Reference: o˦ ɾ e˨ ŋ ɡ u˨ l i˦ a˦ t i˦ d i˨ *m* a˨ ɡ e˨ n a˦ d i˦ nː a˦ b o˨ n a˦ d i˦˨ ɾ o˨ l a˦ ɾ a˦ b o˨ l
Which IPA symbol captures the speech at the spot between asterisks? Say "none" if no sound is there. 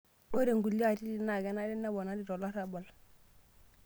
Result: n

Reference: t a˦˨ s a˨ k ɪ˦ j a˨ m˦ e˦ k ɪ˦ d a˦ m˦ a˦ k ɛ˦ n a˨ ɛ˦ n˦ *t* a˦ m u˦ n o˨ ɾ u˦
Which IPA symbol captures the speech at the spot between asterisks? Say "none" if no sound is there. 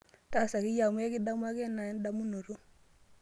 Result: d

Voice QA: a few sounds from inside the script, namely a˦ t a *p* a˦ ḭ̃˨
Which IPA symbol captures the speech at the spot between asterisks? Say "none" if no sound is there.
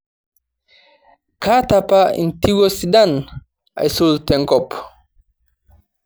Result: p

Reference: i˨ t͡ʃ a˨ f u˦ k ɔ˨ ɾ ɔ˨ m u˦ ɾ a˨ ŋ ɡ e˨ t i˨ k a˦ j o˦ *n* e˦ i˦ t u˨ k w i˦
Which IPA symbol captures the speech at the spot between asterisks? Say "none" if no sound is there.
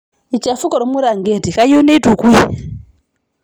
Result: n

